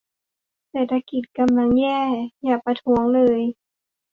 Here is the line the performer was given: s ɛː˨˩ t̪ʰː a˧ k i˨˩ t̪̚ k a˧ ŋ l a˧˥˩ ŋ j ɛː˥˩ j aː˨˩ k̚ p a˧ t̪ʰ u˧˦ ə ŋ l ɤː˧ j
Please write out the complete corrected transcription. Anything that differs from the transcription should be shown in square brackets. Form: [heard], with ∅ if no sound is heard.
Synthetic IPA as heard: s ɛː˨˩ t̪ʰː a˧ k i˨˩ t̪̚ k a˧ [m] l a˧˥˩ ŋ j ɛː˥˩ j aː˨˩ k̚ p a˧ t̪ʰ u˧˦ ə ŋ l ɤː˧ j